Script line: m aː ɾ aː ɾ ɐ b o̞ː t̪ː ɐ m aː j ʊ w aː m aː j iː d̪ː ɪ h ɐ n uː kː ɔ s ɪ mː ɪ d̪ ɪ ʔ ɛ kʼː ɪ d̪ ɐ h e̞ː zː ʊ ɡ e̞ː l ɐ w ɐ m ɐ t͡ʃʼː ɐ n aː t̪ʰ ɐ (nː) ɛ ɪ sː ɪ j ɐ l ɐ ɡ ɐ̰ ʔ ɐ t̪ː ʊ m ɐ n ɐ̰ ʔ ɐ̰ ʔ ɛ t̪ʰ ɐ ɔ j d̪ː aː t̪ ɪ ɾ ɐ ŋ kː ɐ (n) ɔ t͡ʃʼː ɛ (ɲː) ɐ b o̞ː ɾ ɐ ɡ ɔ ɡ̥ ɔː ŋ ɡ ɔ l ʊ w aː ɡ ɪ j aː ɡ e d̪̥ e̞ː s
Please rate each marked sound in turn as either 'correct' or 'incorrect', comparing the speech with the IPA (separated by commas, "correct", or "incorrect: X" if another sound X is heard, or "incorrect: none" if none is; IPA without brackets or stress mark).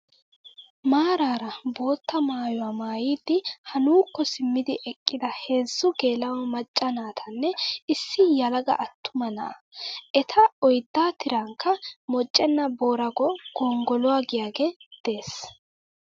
correct, incorrect: m, incorrect: nː